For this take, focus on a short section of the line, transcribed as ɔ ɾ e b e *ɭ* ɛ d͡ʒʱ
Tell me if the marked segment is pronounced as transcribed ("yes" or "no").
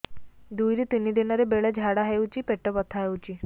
yes